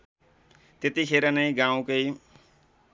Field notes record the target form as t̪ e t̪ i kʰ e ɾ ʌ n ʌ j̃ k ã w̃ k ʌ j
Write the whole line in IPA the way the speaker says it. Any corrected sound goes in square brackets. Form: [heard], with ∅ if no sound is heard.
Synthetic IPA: t̪ e t̪ i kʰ e ɾ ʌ n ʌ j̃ [ɡ] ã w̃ k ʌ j